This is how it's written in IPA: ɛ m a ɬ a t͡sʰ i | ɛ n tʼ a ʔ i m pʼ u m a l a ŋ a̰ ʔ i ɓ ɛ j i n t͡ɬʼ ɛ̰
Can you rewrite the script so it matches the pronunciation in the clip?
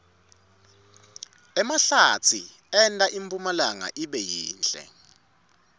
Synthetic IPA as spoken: ɛ m a ɬ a t͡sʰ i | ɛ n tʼ a ʔ i m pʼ u m a l a ŋ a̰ ʔ i ɓ ɛ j iː n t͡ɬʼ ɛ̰

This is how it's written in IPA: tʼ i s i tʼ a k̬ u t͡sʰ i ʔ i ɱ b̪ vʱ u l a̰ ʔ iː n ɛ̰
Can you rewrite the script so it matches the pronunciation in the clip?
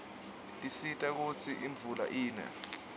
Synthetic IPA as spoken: tʼ i s i tʼ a k̬ u t͡sʰ i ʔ i ɱ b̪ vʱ u l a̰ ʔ iː n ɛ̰

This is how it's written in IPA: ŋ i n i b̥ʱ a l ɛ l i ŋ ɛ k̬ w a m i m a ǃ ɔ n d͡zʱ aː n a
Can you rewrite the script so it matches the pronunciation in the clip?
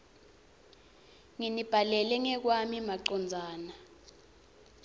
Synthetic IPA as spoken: ŋ i n i b̥ʱ a l ɛ l ɛ ŋ ɛ k̬ w a m i m a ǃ ɔ n d͡zʱ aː n a

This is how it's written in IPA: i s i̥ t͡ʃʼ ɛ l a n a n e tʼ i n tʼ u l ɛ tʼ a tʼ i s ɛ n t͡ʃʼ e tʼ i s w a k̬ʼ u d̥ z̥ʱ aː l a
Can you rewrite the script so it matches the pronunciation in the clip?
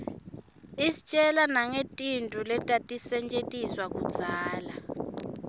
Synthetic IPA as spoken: i s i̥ t͡ʃʼ ɛ l a n a ŋ e tʼ i n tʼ u l ɛ tʼ a tʼ i s ɛ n t͡ʃʼ e tʼ i s w a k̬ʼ u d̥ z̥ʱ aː l a

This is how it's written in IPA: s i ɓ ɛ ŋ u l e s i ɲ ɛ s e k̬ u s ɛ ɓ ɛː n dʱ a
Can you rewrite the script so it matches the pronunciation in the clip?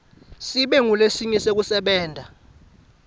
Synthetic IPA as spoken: s i ɓ ɛ ŋ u l e s i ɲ ɛ s e k̬ u s ɛ ɓ ɛː n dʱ a

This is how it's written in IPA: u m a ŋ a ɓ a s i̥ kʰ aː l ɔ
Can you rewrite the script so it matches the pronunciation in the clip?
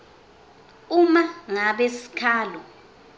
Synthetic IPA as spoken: u m a ŋ a ɓ e s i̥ kʰ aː l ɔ

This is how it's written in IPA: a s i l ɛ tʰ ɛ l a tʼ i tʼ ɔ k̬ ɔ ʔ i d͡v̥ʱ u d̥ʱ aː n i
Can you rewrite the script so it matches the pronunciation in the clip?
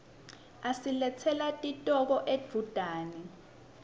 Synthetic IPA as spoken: a s i l ɛ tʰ ɛ l a tʼ i tʼ ɔ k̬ ɔ ʔ e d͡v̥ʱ u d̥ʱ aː n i

